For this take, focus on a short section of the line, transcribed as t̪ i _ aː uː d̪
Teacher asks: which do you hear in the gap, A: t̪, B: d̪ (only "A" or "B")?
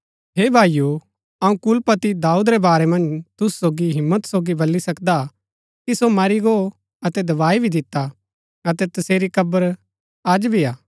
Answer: B